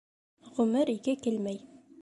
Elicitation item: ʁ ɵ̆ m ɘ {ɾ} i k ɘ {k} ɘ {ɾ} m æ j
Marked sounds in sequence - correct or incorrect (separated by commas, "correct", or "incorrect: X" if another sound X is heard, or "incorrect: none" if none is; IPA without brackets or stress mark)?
correct, correct, incorrect: l